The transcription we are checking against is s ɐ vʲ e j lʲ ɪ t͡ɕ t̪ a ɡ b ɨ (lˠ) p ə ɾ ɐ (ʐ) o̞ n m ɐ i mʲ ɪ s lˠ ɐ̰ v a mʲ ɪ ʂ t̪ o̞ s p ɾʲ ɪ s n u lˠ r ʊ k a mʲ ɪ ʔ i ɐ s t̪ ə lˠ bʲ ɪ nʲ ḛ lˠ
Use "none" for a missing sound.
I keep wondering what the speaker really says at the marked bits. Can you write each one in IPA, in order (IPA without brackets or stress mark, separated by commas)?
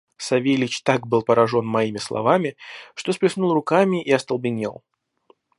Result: lˠ, ʐ